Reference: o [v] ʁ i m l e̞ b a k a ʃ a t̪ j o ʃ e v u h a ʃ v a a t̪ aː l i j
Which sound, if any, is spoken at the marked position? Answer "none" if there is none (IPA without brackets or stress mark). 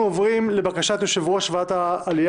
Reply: v